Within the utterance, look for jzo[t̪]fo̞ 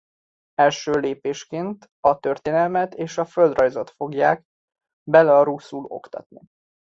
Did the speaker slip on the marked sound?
no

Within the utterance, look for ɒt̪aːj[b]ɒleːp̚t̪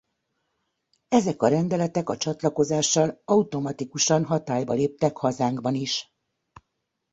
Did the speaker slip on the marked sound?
no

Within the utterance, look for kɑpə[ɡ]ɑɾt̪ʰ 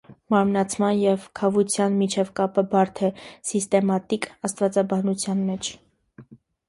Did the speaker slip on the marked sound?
yes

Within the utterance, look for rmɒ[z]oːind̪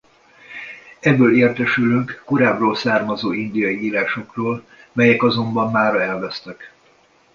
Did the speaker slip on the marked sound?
no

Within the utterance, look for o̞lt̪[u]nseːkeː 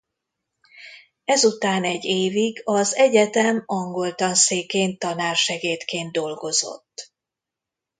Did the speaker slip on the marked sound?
yes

